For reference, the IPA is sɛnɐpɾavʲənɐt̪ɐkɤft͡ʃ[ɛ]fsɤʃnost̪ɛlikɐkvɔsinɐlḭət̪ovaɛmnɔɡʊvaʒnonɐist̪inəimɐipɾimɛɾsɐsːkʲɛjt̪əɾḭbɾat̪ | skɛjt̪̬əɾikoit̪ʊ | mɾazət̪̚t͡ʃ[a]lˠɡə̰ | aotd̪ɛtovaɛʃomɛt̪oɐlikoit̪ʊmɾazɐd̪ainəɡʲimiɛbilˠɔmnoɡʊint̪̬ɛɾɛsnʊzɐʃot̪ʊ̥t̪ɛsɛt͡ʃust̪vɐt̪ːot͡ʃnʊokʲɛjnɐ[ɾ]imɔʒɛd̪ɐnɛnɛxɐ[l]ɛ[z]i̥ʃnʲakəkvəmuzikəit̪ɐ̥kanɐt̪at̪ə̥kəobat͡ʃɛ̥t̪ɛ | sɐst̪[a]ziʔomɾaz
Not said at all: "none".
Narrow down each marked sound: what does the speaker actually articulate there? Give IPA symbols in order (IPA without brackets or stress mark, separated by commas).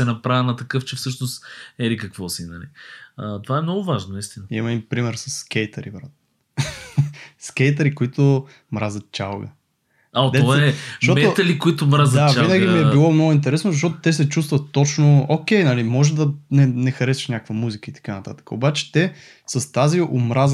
ɛ, a, l, ɾ, s, a